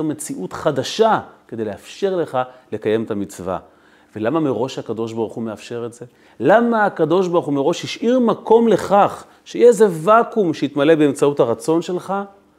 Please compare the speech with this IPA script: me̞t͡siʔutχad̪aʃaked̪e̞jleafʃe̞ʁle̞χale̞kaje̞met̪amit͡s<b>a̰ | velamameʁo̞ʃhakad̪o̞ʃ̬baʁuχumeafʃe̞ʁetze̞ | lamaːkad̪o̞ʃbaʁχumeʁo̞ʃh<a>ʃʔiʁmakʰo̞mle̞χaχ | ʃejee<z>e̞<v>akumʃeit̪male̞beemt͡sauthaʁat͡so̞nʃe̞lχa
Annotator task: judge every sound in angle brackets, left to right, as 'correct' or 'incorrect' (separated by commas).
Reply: incorrect, incorrect, correct, correct